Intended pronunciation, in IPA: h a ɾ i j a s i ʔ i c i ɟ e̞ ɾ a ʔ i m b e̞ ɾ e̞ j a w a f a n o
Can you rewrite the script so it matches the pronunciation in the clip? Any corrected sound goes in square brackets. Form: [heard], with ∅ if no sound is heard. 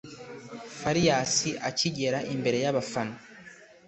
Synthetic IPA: [f] a ɾ i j a s i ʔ [a] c i ɟ e̞ ɾ a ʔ i m b e̞ ɾ e̞ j a [β] a f a n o